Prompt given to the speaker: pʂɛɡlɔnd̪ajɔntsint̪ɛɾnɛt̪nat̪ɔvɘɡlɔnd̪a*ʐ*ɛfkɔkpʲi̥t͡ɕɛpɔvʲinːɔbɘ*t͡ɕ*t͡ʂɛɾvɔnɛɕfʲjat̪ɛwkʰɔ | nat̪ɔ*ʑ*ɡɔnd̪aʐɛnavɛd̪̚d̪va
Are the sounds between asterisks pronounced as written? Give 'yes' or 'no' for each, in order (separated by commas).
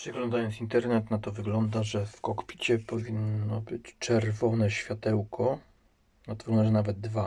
yes, yes, no